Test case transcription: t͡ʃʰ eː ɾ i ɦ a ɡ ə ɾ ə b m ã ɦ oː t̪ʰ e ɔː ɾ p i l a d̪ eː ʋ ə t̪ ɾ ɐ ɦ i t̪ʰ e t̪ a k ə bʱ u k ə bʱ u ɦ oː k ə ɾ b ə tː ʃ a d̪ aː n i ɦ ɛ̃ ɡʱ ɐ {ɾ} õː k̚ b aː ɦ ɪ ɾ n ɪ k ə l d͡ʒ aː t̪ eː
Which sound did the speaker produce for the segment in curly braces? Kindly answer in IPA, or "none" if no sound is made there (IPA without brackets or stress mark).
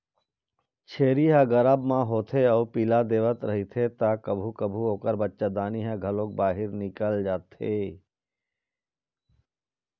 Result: l